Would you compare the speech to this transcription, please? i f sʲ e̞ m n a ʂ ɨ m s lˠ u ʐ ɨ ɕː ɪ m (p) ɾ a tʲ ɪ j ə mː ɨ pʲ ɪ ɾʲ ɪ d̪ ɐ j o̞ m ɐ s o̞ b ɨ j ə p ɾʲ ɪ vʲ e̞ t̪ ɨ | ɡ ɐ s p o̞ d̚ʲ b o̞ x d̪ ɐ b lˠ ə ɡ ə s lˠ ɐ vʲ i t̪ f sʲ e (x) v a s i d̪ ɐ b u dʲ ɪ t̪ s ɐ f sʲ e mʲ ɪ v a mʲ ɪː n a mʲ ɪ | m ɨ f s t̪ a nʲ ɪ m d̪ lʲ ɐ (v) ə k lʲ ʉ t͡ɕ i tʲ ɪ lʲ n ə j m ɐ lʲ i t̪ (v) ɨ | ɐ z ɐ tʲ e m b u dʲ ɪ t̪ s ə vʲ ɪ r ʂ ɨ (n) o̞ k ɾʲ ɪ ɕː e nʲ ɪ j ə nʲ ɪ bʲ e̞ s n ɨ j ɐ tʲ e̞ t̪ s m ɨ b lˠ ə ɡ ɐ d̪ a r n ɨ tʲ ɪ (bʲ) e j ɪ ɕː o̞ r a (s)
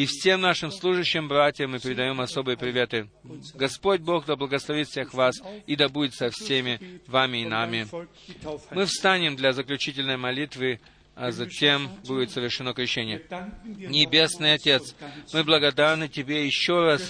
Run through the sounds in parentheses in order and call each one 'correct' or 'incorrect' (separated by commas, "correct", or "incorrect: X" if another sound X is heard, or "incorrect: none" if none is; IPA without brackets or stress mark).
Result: incorrect: b, correct, incorrect: z, correct, correct, correct, correct